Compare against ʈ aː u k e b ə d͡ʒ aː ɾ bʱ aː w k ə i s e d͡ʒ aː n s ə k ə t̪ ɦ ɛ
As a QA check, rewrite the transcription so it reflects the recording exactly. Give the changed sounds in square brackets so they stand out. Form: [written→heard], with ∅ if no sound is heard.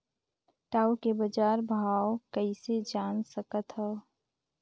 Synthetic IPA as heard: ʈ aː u k e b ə d͡ʒ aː ɾ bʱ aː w k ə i s e d͡ʒ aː n s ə k ə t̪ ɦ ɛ